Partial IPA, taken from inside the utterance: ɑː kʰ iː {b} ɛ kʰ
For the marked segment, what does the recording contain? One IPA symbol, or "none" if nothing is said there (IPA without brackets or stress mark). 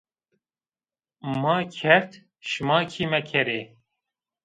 m